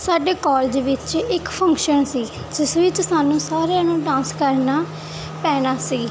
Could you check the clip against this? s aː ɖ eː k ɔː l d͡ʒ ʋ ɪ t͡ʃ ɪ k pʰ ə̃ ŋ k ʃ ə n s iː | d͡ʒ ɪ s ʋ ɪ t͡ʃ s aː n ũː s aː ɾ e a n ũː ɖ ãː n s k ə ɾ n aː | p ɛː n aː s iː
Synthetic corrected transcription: s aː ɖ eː k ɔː l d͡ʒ ʋ ɪ t͡ʃ ɪ k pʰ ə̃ ŋ k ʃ ə n s iː | d͡ʒ ɪ s ʋ ɪ t͡ʃ s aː n ũː s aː ɾ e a n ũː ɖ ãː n s k ə ɾ n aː | p ɛː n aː s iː